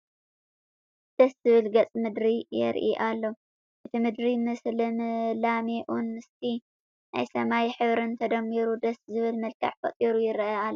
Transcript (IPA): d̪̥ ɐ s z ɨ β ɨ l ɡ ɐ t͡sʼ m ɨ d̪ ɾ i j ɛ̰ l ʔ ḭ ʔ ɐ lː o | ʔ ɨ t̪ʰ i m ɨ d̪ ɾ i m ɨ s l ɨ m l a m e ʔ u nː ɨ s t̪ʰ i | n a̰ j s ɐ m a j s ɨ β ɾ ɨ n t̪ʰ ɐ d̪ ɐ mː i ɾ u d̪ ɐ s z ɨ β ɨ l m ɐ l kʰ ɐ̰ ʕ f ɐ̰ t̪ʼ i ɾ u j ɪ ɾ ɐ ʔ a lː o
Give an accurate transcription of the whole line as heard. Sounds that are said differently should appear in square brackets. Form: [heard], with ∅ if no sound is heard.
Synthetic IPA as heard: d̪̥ ɐ s z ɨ β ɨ l ɡ ɐ t͡sʼ m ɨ d̪ ɾ i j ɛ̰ [ɾ] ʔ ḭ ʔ [a] lː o | ʔ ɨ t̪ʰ i m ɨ d̪ ɾ i m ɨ s l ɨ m l a m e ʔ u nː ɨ s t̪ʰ i | n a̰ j s ɐ m a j [ħ] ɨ β ɾ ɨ n t̪ʰ ɐ d̪ ɐ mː i ɾ u d̪ ɐ s z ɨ β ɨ l m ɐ l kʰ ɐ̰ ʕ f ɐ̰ t̪ʼ i ɾ u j ɪ ɾ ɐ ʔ a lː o